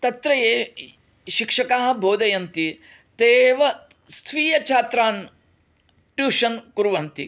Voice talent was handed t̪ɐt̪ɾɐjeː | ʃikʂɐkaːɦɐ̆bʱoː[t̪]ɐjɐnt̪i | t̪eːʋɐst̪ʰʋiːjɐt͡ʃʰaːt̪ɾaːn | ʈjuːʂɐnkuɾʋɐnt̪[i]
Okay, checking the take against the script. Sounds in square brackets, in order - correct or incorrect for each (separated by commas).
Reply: incorrect, correct